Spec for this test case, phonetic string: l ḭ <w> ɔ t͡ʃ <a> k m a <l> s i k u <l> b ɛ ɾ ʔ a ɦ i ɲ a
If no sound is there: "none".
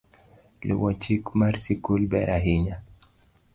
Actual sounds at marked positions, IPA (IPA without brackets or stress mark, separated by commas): w, i, ɾ, l